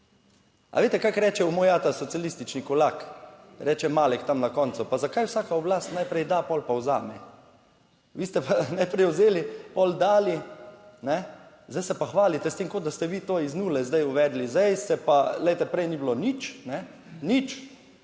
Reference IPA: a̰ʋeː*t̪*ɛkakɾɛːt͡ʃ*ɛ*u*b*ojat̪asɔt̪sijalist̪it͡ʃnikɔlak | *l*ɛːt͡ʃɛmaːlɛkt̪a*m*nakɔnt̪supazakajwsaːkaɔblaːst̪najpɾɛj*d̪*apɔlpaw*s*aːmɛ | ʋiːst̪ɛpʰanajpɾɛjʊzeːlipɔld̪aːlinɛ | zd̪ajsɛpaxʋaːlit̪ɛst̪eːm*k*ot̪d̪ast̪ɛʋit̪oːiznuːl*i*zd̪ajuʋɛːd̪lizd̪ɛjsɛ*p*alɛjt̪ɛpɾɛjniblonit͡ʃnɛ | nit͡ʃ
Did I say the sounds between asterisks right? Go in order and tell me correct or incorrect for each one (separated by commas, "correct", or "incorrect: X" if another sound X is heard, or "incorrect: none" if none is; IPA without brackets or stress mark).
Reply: correct, correct, incorrect: m, incorrect: ɾ, correct, correct, incorrect: z, correct, incorrect: ɛ, correct